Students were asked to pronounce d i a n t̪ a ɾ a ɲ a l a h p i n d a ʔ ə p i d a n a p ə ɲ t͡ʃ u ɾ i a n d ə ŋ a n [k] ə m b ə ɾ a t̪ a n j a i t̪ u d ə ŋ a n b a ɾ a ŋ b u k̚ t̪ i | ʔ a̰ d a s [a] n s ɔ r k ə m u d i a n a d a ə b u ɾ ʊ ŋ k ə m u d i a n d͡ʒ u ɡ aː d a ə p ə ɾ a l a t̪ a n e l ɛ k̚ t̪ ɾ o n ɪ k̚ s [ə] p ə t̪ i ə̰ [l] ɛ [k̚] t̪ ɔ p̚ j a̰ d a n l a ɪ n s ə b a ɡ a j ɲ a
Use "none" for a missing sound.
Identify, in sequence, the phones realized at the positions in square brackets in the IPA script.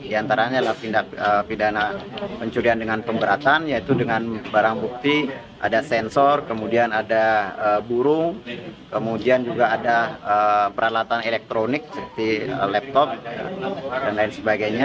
p, ɛ, ə, l, p̚

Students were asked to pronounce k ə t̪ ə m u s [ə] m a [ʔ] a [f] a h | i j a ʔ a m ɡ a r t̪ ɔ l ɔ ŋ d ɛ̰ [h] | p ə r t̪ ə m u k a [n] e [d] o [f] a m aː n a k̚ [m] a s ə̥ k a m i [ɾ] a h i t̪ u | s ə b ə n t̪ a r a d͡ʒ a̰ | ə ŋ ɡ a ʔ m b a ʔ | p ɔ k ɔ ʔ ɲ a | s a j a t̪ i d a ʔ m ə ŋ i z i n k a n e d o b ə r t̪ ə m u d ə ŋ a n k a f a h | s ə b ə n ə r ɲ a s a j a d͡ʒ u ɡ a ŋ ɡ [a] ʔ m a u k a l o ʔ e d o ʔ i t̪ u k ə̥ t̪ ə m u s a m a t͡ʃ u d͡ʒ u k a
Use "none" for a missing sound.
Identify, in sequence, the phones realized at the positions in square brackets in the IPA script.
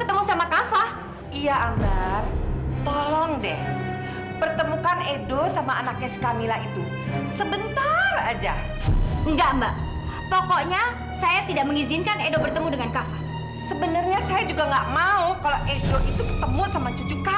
a, k, f, h, n, d, s, ɲ, l, a

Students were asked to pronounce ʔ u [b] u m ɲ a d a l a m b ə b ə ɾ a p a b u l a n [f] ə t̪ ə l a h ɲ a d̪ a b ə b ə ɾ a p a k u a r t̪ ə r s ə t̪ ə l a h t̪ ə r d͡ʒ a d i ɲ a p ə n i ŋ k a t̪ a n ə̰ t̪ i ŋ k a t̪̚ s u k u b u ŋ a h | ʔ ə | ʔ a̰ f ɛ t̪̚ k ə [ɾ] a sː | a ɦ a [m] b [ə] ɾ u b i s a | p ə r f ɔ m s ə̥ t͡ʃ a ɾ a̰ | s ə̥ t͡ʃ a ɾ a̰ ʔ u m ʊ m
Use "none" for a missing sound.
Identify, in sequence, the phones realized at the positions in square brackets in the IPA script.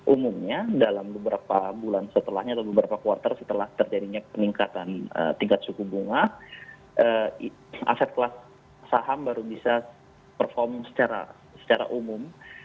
m, s, l, m, a

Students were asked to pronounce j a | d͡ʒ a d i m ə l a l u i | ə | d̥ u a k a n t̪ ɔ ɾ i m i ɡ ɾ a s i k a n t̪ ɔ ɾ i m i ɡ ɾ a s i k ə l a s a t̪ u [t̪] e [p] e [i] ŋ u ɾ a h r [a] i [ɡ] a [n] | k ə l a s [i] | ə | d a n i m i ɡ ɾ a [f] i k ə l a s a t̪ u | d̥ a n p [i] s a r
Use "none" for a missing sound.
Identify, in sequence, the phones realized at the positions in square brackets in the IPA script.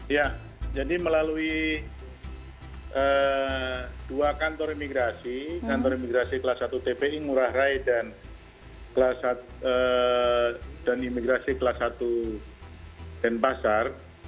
t̪, p, i, a, d, n, a, s, a

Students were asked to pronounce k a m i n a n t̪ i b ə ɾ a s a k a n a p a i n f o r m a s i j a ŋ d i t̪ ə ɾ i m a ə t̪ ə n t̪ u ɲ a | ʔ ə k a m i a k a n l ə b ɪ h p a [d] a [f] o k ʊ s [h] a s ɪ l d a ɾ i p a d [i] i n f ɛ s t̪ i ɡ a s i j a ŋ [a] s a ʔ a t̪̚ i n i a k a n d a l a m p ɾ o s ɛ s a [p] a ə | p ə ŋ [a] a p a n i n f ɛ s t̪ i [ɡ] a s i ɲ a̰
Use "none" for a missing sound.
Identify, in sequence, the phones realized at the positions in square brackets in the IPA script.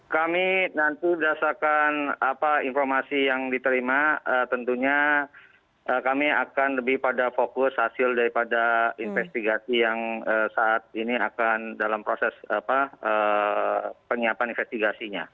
d, f, h, a, ə, p, i, ɡ

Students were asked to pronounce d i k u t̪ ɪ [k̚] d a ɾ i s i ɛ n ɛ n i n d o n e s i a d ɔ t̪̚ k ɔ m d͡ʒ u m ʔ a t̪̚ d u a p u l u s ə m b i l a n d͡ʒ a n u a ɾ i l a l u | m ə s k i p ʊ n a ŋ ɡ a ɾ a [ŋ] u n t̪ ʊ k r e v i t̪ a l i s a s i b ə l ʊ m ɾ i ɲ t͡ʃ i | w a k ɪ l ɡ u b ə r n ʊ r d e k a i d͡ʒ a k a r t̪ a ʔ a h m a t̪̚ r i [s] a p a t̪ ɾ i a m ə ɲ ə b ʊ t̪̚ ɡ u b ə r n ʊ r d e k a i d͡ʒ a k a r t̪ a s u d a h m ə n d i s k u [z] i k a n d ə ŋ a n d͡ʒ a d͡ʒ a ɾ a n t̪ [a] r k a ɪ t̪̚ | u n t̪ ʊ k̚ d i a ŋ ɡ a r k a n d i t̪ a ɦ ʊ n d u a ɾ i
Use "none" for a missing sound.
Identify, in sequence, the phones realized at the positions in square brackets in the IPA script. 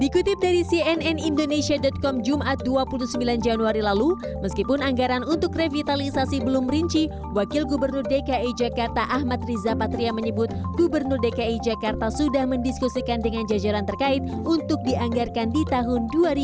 p̚, n, z, s, ə

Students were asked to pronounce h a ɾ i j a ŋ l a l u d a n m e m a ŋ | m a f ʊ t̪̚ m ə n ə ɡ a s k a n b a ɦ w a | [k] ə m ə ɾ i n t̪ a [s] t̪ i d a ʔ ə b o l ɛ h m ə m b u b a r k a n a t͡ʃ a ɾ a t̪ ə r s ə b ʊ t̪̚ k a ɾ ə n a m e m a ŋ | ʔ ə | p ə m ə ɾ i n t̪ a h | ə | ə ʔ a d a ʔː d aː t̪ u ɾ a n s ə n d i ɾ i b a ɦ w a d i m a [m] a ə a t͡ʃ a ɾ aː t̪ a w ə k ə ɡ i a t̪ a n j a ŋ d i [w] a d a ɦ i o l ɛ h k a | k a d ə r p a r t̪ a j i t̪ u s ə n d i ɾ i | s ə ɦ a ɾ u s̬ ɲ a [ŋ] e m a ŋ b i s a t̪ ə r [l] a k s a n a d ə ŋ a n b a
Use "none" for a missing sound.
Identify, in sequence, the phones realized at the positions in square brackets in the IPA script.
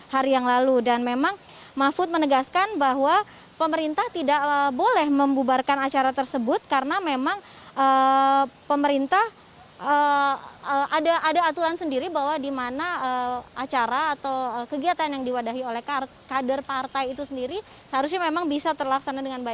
p, h, n, w, m, l

